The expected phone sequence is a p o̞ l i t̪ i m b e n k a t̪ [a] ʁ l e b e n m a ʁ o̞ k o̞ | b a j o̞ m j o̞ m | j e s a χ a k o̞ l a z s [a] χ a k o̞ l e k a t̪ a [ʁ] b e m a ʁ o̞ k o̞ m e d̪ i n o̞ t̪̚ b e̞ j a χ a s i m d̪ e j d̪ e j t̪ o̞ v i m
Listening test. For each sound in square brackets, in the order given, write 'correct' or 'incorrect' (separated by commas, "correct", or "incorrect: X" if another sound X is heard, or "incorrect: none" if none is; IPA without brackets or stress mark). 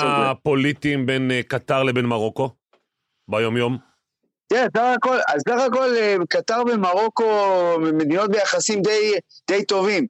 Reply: correct, correct, correct